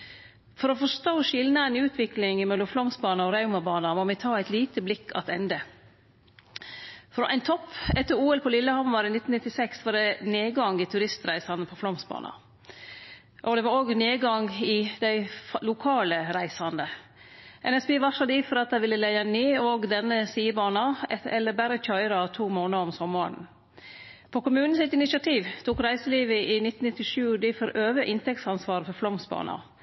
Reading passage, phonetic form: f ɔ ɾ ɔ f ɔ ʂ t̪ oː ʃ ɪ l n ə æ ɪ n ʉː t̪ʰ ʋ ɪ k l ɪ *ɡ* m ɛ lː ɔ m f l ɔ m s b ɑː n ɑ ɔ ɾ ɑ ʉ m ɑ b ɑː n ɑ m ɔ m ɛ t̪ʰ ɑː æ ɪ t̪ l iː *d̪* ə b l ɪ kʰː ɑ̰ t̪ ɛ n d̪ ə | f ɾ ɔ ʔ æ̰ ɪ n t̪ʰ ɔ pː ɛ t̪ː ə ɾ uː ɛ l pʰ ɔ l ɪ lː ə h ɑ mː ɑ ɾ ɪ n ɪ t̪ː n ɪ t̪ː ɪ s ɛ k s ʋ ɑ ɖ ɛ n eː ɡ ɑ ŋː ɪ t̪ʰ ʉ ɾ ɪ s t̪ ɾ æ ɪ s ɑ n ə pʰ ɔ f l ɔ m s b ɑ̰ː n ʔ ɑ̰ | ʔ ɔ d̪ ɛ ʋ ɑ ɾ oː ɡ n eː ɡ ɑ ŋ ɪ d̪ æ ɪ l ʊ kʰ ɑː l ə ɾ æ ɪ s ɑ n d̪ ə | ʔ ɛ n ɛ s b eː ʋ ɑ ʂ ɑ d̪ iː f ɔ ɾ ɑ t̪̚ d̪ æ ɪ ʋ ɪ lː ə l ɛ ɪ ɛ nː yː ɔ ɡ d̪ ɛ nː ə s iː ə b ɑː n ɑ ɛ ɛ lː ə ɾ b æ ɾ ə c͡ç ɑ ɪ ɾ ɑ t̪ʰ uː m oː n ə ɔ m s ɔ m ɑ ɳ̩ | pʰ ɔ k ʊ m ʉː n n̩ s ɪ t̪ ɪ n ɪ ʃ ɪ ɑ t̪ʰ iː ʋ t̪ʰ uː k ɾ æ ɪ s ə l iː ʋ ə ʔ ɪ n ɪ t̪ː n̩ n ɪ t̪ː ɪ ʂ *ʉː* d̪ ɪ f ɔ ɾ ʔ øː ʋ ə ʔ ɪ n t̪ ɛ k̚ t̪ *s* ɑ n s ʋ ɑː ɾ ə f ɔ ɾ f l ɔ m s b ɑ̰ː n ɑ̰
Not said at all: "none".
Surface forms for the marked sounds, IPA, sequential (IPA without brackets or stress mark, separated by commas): ŋ, t̪, ʉː, s